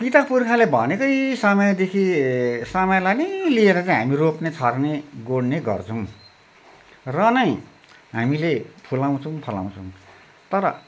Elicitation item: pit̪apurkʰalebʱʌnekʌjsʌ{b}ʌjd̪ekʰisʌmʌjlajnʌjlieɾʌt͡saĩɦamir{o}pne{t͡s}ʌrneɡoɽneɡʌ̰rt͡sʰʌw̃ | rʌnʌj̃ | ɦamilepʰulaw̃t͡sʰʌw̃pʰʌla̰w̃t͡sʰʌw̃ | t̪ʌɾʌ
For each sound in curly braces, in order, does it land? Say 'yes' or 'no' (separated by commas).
no, yes, no